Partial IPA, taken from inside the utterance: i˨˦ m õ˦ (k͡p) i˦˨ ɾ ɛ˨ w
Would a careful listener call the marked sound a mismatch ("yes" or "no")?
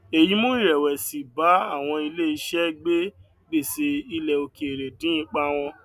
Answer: yes